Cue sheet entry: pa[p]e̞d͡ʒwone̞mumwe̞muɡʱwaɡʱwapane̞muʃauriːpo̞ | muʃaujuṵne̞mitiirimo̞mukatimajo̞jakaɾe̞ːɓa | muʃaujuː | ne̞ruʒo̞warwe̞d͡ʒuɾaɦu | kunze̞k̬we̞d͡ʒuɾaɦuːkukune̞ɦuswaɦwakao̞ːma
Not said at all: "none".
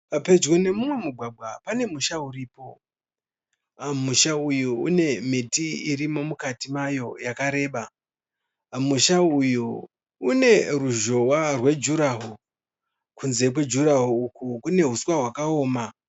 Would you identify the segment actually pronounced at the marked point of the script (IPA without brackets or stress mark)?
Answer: p